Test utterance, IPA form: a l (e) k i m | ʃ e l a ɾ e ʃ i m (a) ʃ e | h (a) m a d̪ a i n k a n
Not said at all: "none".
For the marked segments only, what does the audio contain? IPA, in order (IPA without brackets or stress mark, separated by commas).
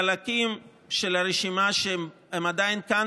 a, a, e